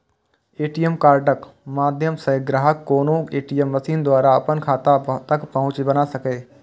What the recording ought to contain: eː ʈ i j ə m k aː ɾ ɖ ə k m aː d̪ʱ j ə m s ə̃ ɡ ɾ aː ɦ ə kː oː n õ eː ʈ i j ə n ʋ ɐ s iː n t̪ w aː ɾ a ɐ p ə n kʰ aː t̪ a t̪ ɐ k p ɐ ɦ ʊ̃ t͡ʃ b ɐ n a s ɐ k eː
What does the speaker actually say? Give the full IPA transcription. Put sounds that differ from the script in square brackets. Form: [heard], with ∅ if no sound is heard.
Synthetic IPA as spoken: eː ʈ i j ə m k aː ɾ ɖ ə k m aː d̪ʱ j ə m s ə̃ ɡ ɾ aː ɦ ə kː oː n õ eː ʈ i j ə [m] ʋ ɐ s iː n [d̪] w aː ɾ a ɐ p ə n kʰ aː t̪ a t̪ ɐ k p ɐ ɦ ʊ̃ t͡ʃ b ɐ n a s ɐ k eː